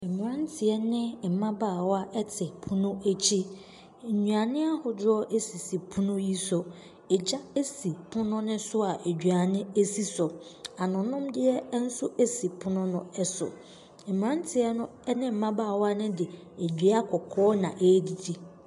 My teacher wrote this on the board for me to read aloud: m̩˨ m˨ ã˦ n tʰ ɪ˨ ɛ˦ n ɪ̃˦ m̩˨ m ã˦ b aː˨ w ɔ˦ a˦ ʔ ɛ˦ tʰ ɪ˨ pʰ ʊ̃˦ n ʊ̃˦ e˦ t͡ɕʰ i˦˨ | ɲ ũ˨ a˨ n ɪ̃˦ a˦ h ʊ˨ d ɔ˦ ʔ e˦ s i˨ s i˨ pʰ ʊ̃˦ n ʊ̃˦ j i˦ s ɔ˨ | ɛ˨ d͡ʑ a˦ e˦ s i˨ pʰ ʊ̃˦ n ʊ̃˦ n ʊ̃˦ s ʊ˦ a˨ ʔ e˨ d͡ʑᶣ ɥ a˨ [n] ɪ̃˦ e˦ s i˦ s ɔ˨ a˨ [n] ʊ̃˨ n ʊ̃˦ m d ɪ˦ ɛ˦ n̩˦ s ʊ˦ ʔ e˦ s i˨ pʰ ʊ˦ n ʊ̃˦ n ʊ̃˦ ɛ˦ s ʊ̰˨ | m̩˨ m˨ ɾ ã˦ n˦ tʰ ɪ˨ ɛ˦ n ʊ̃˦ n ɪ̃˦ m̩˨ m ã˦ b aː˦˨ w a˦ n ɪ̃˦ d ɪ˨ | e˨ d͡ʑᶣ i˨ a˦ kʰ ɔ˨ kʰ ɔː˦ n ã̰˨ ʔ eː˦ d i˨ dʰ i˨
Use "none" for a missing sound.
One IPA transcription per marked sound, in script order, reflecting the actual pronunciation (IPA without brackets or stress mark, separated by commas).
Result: n, n